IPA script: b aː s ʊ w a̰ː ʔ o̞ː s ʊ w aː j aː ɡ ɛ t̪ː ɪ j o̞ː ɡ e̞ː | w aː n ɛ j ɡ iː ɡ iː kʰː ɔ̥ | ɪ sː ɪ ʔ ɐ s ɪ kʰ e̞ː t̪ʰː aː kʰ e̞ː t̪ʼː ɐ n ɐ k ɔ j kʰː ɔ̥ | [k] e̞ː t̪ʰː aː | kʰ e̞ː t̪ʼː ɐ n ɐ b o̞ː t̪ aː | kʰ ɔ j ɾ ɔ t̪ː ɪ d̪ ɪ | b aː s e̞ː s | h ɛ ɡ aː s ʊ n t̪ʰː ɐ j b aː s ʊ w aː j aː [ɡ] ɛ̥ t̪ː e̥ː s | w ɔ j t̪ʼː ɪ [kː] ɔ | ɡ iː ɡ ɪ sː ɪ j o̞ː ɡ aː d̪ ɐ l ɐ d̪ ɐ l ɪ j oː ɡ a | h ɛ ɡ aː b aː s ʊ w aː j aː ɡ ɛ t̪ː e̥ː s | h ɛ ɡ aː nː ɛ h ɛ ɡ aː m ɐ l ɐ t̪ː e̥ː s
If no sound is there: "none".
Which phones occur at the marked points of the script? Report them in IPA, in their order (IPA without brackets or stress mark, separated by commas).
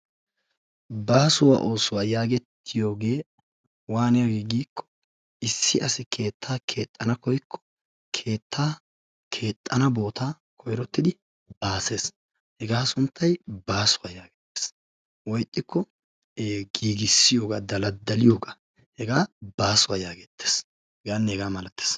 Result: kʰ, ɡ, kː